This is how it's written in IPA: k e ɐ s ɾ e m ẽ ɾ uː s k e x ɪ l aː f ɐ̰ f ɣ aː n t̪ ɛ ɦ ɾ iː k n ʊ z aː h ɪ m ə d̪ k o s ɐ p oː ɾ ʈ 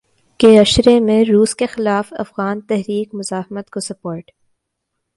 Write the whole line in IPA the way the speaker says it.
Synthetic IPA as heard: k e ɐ ʃ ɾ e m ẽ ɾ uː s k e x ɪ l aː f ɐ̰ f ɣ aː n t̪ ɛ ɦ ɾ iː k m ʊ z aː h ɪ m ə t̪ k o s ɐ p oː ɾ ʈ

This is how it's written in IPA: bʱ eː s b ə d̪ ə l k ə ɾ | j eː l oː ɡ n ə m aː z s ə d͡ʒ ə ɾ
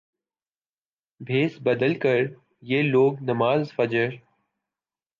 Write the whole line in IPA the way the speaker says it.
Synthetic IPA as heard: bʱ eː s b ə d̪ ə l k ə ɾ | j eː l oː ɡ n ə m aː z f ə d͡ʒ ə ɾ

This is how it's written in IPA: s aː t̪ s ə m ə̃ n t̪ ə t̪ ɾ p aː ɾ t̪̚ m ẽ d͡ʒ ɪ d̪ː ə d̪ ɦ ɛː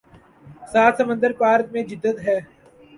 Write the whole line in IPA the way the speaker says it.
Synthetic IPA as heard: s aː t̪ s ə m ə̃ n d̪ ə ɾ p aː ɾ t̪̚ m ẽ d͡ʒ ɪ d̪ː ə t̪ ɦ ɛː

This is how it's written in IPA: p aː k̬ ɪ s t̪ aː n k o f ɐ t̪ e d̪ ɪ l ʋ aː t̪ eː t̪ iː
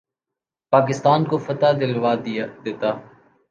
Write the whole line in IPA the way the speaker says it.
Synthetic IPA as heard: p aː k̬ ɪ s t̪ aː n k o f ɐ t̪ a d̪ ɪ l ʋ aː d̪ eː t̪ aː

